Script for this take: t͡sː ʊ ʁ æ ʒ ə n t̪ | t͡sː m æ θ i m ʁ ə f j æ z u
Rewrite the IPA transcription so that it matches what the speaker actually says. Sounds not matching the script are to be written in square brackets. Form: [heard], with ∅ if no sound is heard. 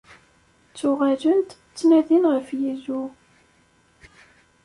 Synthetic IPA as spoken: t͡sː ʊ ʁ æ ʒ ə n t̪ | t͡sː [n] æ [ð] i [n] ʁ ə f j [i] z u